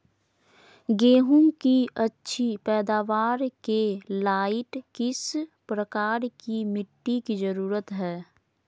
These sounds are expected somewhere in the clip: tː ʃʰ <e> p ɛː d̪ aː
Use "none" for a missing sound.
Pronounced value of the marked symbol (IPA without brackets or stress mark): i